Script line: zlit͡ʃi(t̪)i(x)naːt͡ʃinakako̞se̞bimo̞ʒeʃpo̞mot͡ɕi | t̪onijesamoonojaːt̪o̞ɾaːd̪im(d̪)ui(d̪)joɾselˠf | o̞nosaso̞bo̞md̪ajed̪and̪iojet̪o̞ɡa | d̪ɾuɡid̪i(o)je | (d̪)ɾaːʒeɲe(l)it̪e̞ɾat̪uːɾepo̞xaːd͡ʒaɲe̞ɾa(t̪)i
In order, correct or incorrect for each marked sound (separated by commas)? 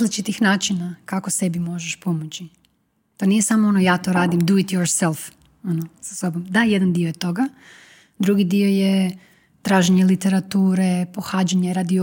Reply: correct, correct, correct, incorrect, correct, incorrect, correct, incorrect